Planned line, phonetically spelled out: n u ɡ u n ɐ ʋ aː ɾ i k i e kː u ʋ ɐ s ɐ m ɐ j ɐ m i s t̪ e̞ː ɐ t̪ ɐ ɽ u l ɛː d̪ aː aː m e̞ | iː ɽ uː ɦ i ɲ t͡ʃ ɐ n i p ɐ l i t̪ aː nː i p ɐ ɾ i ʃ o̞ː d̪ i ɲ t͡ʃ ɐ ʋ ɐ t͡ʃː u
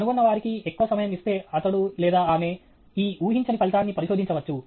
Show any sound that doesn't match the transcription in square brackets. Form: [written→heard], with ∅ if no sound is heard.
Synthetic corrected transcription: n u ɡ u [n→nː] ɐ ʋ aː ɾ i k i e kː u ʋ ɐ s ɐ m ɐ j ɐ m i s t̪ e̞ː ɐ t̪ ɐ ɽ u l ɛː d̪ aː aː m e̞ | iː [ɽ→∅] uː ɦ i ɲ t͡ʃ ɐ n i p ɐ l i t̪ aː nː i p ɐ ɾ i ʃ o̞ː d̪ i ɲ t͡ʃ ɐ ʋ ɐ t͡ʃː u